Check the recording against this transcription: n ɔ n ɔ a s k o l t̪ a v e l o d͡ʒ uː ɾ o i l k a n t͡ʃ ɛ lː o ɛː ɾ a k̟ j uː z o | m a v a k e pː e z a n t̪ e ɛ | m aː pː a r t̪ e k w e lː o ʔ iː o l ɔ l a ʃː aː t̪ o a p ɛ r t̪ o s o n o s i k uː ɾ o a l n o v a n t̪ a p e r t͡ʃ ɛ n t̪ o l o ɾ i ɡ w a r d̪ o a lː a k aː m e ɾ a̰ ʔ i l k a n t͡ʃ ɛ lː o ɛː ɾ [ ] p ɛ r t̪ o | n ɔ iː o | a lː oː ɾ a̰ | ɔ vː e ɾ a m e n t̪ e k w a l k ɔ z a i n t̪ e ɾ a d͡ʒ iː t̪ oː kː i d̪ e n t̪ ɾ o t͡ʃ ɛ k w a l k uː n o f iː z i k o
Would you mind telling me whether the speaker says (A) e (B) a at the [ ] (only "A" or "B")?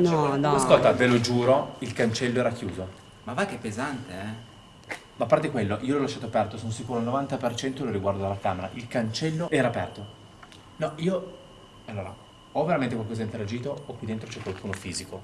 B